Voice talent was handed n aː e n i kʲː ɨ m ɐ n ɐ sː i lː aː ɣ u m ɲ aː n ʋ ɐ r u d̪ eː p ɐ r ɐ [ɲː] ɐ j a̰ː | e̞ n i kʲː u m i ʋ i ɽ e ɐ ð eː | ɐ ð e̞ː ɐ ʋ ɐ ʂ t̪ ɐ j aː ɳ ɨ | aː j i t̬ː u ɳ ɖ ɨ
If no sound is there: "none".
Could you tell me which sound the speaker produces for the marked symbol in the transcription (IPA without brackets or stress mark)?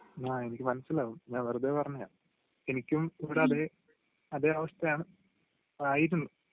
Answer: ɲː